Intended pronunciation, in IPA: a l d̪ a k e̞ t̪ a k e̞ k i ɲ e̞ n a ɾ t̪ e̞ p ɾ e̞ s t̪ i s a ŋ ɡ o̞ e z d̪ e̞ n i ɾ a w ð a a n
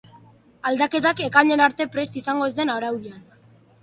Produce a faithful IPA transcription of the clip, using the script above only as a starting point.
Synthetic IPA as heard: a l d̪ a k e̞ t̪ a k e̞ k a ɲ e̞ n a ɾ t̪ e̞ p ɾ e̞ s t̪ i s a ŋ ɡ o̞ e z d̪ e̞ n a ɾ a w ð i a n